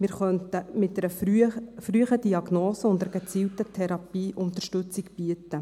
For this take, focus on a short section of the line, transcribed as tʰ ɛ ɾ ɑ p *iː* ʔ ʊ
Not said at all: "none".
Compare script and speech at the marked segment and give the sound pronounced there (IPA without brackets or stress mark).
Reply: iː